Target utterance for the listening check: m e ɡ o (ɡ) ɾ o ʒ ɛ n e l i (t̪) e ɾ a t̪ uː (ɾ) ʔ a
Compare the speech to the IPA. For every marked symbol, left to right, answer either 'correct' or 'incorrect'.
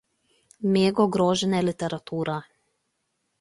correct, correct, correct

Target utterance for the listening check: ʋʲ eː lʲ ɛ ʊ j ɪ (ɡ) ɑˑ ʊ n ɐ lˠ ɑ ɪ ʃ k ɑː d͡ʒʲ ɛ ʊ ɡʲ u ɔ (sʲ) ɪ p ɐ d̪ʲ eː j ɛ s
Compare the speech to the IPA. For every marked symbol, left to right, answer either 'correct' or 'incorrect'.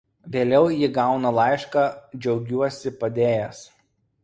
correct, correct

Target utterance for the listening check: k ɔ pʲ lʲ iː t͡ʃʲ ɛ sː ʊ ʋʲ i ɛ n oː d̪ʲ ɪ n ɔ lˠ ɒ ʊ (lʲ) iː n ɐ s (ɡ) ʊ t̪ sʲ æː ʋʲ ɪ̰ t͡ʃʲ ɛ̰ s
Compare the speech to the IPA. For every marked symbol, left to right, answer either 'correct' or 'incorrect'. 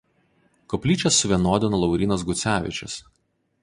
incorrect: ɾʲ, correct

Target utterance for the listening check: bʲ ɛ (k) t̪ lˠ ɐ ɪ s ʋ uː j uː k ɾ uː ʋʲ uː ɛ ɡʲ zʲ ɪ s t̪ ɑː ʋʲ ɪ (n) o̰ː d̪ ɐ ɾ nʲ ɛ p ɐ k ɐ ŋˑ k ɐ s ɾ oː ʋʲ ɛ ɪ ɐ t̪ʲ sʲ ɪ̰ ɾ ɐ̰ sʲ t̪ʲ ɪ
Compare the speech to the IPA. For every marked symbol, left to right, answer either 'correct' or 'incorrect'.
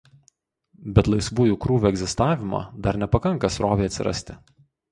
incorrect: none, incorrect: m

